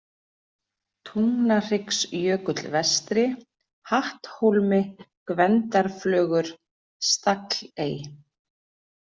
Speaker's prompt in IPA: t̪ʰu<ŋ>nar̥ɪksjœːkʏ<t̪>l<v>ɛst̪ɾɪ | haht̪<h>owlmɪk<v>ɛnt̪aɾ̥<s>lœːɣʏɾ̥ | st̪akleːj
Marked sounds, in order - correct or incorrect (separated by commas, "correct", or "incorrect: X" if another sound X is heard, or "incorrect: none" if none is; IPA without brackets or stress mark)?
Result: correct, correct, correct, correct, correct, incorrect: f